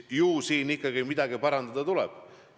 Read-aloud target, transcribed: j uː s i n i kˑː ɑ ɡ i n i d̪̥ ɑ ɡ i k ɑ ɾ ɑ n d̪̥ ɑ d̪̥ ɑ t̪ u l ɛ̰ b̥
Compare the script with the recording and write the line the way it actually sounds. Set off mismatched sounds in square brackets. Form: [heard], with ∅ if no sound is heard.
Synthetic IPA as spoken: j uː s [iː] n i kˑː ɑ ɡ i [m] i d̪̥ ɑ ɡ i [p] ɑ ɾ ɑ n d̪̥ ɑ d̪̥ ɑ t̪ u l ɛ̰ b̥

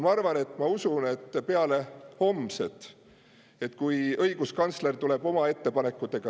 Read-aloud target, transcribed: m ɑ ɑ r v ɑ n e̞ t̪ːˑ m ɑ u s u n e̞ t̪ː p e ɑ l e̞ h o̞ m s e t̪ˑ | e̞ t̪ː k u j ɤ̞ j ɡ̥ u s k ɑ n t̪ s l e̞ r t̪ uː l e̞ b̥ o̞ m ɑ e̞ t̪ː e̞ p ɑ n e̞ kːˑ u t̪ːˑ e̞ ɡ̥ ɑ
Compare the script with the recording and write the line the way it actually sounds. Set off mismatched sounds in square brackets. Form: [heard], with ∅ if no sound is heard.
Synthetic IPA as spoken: m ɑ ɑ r v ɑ n e̞ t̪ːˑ m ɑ u s u n e̞ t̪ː p e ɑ l e̞ h o̞ m s e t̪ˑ | e̞ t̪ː k u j ɤ̞ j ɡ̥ u s k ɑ n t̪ s l e̞ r t̪ [u] l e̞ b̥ o̞ m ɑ e̞ t̪ː e̞ p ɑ n e̞ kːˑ u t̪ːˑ e̞ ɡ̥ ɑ

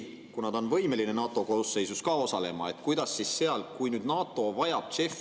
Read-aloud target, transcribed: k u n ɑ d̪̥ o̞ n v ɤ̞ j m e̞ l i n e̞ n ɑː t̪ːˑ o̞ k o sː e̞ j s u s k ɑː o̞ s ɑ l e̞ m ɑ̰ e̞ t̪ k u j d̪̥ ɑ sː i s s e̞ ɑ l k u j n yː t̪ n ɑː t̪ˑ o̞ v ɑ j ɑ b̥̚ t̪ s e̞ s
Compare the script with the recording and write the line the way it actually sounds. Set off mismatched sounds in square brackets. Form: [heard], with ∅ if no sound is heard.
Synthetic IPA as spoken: k u n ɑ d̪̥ o̞ n v ɤ̞ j m e̞ l i n e̞ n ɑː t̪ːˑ o̞ k o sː e̞ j s u s k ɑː o̞ s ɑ l e̞ m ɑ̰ e̞ t̪ k u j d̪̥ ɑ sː i s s e̞ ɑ l k u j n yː [d̪] n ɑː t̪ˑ o̞ v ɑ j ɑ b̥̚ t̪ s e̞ [f]

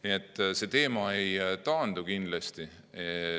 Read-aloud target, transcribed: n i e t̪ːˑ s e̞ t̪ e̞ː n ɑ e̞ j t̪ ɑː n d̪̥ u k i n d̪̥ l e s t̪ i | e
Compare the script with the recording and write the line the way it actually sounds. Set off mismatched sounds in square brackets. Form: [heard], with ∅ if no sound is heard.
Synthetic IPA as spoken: n i e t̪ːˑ s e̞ t̪ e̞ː [m] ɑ e̞ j t̪ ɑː n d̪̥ u k i n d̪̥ l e s t̪ i | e

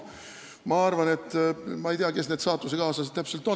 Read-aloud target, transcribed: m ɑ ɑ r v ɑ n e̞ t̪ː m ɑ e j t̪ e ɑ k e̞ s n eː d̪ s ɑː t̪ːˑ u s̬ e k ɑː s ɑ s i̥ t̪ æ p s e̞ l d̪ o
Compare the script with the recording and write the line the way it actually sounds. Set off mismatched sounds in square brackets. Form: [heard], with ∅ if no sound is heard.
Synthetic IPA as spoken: m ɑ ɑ r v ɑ n e̞ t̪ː m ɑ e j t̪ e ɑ k e̞ s n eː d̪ s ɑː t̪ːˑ u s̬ e k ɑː s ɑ s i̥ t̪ æ p s e̞ l [t̪] o

